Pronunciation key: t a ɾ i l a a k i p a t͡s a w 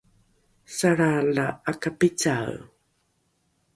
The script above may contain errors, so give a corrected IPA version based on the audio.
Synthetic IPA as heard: s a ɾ a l a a k a p i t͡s a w